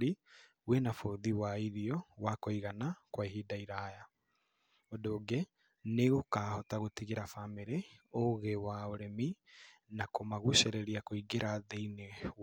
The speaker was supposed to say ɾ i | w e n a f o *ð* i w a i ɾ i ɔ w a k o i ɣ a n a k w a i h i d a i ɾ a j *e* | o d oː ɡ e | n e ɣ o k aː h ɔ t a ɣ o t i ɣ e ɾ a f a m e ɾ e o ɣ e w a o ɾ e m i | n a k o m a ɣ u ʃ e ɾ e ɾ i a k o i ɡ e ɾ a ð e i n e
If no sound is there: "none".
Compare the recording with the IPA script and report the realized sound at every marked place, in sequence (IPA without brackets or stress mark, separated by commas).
ð, a